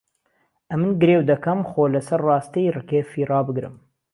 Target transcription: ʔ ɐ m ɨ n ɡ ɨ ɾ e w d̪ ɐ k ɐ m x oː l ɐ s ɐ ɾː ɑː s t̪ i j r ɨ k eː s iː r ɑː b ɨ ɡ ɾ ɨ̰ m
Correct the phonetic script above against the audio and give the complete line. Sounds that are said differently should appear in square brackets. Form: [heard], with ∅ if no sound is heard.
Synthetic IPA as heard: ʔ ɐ m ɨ n ɡ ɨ ɾ e w d̪ ɐ k ɐ m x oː l ɐ s ɐ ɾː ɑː s t̪ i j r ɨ k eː [f] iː r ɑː b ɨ ɡ ɾ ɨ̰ m